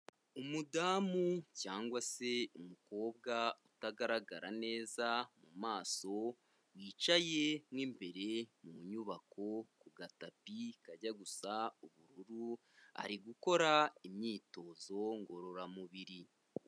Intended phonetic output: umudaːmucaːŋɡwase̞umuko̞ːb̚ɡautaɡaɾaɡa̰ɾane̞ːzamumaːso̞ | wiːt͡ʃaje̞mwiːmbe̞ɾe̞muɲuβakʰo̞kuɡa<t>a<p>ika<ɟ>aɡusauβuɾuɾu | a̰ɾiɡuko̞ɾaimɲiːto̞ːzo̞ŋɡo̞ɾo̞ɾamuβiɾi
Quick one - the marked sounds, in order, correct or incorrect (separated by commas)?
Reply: correct, correct, correct